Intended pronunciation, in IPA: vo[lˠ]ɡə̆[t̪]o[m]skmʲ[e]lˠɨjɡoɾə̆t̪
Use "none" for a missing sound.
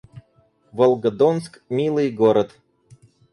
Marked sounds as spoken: lˠ, d̪, n, i

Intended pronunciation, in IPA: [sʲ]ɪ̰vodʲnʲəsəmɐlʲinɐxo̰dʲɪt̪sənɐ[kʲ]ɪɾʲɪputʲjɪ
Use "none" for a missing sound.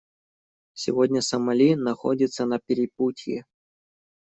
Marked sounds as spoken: sʲ, pʲ

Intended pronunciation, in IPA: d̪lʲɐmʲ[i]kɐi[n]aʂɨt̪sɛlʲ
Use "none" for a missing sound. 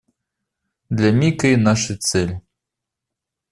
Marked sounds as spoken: i, n

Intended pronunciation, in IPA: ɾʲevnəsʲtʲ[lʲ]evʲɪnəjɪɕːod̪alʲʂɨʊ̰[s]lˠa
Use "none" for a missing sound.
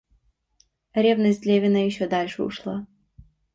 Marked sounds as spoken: lʲ, ʂ

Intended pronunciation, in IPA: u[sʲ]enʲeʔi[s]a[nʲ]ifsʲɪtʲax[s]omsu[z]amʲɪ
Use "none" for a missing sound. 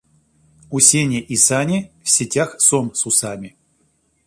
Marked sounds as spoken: sʲ, s, nʲ, s, s

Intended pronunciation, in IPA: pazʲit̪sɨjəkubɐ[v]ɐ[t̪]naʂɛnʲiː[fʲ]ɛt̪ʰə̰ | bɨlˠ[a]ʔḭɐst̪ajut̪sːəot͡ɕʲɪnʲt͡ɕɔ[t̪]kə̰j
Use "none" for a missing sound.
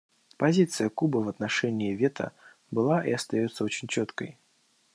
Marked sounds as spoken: v, t̪, vʲ, a, t̪

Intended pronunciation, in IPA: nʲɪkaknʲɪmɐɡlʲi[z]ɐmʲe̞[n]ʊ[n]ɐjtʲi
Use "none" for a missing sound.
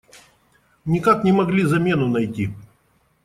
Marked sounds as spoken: z, n, n

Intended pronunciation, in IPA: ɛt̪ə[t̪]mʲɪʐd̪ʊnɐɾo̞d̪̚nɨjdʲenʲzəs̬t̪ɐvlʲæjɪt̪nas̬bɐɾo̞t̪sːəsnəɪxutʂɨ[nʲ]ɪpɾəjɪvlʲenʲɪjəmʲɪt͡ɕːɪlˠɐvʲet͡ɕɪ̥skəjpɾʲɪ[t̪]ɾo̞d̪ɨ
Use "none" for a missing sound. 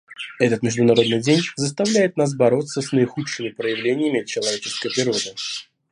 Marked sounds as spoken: t̪, mʲ, none

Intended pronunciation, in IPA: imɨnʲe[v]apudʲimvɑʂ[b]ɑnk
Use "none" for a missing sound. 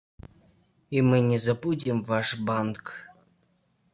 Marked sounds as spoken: z, b

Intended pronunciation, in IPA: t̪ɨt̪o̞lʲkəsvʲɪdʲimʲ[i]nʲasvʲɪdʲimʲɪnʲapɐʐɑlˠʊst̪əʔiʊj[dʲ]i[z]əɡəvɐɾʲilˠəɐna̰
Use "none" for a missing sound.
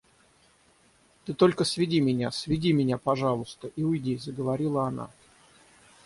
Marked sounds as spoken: ɪ, dʲ, z

